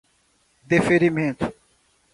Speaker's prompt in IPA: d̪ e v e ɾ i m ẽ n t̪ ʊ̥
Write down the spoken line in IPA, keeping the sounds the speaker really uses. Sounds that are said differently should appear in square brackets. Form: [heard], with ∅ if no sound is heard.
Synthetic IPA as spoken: d̪ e [f] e ɾ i m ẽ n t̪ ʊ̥